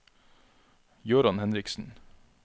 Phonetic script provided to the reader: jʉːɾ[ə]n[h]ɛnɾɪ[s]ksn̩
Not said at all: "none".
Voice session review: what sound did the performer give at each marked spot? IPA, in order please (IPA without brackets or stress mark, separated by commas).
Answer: ɑ, h, none